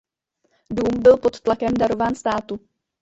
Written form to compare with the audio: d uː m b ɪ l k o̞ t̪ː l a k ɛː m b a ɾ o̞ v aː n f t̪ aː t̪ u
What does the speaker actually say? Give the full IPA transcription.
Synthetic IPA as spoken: d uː m b ɪ l p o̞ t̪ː l a k ɛ m d a ɾ o̞ v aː n s t̪ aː t̪ u